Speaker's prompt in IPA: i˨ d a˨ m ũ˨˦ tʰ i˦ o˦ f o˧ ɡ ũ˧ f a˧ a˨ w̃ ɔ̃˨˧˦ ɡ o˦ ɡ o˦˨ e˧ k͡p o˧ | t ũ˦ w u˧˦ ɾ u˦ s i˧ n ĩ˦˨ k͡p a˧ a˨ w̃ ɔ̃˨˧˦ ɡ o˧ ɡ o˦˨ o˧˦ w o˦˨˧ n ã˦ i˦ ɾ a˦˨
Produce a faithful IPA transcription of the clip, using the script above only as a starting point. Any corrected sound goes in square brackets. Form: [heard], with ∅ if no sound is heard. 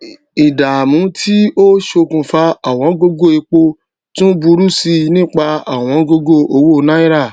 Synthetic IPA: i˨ d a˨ m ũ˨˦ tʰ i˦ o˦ [ʃ] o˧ [k] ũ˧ f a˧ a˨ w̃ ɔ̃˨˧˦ ɡ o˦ ɡ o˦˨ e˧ k͡p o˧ | t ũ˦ [b] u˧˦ ɾ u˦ s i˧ n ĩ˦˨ k͡p a˧ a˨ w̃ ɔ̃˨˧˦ ɡ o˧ ɡ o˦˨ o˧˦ w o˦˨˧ n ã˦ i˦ ɾ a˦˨